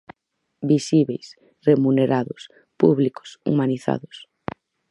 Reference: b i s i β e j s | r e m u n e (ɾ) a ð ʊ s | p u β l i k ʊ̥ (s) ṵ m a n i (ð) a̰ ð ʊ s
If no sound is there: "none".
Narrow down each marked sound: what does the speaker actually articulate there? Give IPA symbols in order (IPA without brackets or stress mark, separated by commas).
ɾ, s, θ